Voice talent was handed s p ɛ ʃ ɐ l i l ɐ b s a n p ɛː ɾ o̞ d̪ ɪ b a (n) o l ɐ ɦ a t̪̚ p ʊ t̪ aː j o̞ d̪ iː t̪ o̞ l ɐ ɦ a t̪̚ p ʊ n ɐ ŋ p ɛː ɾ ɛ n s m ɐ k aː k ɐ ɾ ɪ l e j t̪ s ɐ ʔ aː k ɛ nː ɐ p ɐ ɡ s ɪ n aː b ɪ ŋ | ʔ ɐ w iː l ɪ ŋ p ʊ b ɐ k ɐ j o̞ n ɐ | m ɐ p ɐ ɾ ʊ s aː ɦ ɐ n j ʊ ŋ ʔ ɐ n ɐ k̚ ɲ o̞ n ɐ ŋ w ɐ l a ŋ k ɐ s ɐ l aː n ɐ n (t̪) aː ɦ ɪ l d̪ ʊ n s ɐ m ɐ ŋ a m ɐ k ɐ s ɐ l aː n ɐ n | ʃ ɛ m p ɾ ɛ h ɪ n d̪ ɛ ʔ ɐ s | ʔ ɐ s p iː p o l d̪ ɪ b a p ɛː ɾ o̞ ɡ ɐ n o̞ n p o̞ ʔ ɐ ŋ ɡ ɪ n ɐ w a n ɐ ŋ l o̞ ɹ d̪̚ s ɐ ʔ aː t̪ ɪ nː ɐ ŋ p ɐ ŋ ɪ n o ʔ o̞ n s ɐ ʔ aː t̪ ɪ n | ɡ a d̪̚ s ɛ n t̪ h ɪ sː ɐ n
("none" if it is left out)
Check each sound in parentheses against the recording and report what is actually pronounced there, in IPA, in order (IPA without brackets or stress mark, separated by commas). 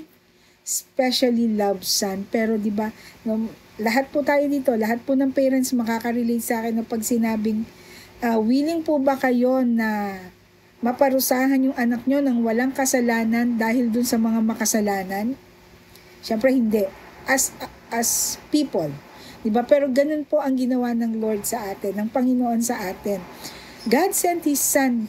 n, d̪